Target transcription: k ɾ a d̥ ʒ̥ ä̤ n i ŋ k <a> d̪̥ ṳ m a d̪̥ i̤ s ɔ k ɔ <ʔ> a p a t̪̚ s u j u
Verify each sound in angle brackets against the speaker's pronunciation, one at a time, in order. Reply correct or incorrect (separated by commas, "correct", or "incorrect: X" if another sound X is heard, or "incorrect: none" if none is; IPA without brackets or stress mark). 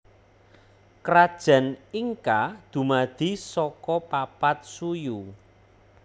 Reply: correct, incorrect: p